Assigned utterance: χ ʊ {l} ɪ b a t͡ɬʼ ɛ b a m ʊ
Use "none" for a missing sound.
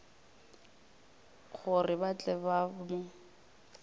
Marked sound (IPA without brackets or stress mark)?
r